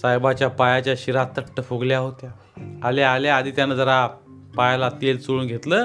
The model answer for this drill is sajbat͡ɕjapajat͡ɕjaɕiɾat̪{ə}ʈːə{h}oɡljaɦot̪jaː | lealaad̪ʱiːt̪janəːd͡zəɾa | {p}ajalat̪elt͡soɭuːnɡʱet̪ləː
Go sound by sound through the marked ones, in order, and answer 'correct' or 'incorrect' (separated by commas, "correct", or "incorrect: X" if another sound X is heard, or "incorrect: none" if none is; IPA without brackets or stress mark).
correct, incorrect: f, correct